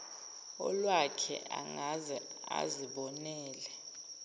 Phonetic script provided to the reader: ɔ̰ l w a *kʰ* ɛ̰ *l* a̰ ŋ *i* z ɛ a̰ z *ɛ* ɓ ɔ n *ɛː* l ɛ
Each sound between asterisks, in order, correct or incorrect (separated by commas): correct, incorrect, incorrect, incorrect, correct